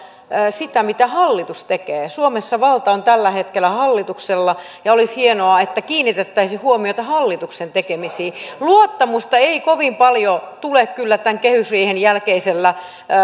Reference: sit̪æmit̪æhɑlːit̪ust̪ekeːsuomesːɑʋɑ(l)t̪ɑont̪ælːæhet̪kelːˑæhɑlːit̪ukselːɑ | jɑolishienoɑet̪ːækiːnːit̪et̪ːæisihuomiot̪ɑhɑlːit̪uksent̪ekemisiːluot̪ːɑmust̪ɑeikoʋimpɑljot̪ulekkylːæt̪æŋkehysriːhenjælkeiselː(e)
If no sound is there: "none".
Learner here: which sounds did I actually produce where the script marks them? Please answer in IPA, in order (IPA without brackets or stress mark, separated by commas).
l, æ